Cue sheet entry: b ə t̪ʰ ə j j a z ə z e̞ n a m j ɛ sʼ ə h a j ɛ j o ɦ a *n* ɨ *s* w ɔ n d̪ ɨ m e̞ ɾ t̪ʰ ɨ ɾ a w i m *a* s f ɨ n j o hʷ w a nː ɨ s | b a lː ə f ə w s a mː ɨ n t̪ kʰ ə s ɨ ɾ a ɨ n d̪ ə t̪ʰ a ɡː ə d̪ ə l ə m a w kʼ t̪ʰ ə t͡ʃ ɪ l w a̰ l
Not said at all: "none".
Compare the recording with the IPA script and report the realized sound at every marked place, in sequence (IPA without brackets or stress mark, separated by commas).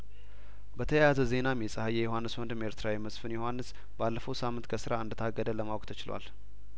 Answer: nː, s, ə